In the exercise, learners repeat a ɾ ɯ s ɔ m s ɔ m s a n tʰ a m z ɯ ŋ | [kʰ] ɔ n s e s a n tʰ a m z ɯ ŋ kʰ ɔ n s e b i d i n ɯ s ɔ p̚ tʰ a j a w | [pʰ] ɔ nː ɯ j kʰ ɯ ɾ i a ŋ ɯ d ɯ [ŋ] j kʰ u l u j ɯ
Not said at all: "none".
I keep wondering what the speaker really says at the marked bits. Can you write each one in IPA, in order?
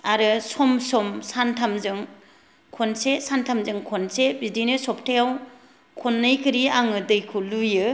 kʰ, kʰ, none

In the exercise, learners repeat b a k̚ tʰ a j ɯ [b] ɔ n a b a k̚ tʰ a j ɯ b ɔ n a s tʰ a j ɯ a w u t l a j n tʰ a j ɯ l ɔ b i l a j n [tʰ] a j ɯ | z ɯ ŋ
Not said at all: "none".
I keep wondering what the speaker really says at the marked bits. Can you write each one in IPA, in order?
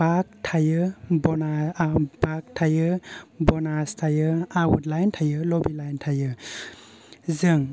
b, tʰ

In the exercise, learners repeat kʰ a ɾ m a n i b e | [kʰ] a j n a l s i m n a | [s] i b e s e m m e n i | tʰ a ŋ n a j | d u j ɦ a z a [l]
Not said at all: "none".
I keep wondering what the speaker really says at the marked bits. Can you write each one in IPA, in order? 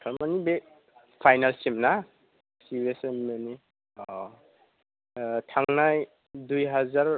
pʰ, s, ɾ

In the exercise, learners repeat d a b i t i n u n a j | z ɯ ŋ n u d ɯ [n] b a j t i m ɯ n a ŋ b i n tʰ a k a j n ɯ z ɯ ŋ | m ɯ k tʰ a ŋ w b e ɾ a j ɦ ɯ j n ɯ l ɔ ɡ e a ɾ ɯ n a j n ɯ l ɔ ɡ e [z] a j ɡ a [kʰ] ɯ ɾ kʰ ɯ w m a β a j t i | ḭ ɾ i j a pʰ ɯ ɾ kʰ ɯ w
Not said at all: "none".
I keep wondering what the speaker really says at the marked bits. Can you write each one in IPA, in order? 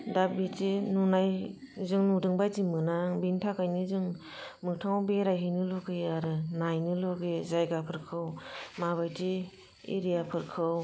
ŋ, z, pʰ

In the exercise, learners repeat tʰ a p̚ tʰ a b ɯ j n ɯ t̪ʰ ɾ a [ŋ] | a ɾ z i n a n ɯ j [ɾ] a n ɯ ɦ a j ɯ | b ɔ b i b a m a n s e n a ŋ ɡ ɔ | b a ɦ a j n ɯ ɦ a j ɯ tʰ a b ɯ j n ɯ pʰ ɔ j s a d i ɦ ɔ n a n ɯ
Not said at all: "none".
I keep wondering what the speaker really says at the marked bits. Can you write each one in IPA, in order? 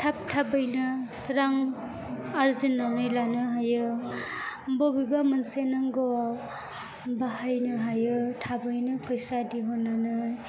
ŋ, l

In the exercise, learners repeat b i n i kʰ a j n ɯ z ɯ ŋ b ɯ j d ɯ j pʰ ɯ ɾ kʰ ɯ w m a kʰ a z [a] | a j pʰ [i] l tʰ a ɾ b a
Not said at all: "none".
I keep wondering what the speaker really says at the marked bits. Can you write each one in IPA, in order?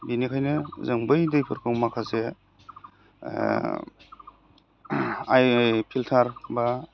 e, i

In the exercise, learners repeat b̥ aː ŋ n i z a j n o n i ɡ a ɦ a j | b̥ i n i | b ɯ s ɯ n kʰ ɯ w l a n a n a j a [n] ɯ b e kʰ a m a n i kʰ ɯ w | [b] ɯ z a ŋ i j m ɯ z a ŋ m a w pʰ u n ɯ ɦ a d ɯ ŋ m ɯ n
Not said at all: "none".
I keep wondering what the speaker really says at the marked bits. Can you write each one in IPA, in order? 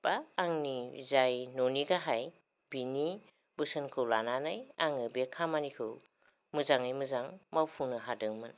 ŋ, m

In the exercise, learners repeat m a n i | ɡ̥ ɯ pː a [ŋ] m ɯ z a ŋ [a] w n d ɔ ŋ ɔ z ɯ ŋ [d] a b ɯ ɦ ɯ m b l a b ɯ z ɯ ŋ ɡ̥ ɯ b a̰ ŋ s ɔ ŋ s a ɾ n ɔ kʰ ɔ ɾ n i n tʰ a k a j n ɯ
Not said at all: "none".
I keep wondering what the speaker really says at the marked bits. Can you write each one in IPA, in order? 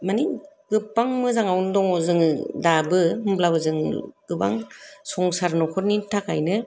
ŋ, a, d

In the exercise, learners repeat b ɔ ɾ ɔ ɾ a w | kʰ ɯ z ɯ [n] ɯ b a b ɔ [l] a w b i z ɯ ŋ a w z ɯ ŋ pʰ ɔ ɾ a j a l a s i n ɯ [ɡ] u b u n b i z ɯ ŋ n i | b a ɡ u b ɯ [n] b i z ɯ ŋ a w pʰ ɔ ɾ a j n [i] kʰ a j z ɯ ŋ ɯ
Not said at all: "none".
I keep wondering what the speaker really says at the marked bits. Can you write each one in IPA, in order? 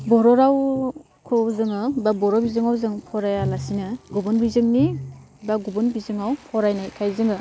ŋ, ɾ, ɡ, n, a

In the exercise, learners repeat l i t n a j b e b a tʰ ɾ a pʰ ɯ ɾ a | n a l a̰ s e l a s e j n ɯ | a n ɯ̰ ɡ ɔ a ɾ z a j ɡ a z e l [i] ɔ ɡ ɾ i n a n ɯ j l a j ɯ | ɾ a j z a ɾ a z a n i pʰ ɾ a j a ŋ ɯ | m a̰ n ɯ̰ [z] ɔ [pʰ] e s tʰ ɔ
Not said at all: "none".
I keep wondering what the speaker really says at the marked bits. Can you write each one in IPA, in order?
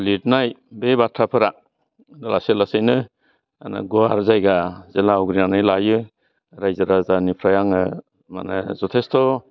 a, z, tʰ

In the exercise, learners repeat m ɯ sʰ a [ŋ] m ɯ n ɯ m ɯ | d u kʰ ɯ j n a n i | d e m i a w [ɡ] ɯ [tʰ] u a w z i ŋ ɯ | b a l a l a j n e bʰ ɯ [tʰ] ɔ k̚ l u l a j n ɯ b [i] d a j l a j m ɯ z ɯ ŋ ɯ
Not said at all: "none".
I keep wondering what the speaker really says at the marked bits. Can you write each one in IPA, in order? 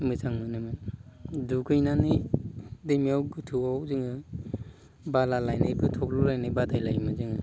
ŋ, ɡ, tʰ, tʰ, a

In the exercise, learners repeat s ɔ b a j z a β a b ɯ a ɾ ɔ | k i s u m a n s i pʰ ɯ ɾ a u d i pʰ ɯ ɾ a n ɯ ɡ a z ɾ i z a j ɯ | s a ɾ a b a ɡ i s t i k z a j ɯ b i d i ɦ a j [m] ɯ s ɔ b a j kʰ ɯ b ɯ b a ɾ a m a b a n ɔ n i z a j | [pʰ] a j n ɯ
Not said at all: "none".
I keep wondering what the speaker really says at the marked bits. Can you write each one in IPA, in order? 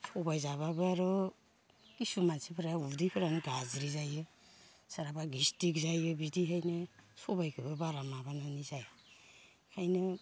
n, kʰ

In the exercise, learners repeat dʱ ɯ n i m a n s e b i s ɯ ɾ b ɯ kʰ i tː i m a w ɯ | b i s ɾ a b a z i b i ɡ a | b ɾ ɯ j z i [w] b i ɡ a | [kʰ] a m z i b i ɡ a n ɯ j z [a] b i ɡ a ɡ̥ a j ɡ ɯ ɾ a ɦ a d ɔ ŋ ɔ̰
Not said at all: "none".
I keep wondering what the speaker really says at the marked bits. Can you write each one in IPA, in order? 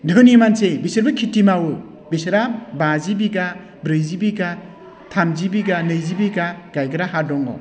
none, tʰ, i

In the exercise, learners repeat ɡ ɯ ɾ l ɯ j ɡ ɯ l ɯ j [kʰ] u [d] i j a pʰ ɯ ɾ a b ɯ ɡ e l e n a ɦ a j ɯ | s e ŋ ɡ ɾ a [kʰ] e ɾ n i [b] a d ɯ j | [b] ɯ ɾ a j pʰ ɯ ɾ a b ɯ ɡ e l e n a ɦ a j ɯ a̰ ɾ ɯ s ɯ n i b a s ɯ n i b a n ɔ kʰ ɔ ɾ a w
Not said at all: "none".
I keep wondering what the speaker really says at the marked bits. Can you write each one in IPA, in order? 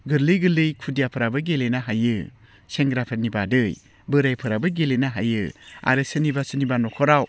kʰ, d, pʰ, b, b

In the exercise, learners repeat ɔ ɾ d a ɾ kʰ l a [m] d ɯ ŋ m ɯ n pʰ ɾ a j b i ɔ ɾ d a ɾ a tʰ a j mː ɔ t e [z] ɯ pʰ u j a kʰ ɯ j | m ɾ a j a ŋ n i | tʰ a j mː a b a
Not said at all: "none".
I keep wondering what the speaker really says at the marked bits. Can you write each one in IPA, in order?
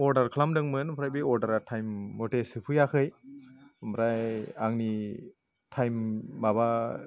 m, s

